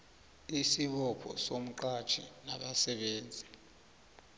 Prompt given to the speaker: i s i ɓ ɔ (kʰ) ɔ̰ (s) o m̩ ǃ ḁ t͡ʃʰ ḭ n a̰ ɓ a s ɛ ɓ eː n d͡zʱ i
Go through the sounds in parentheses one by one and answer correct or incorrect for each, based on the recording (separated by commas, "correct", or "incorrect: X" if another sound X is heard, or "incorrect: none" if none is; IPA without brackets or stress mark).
incorrect: pʰ, correct